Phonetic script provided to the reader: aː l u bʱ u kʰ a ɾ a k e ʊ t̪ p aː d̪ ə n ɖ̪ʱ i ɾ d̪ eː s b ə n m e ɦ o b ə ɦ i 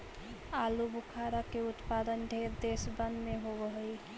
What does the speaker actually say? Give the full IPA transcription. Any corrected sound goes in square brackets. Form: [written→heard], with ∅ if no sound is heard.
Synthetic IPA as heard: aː l u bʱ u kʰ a ɾ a k e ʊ t̪ p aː d̪ ə n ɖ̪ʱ [i→e] ɾ d̪ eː s b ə n m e ɦ o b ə ɦ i